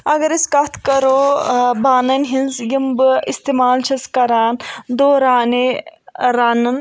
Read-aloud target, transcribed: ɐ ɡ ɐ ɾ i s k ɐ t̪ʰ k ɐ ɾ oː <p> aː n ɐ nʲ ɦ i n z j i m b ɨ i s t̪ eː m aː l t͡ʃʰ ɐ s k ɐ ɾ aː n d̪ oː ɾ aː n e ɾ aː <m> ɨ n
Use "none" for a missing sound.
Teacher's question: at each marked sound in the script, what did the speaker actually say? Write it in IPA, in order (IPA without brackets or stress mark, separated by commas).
b, n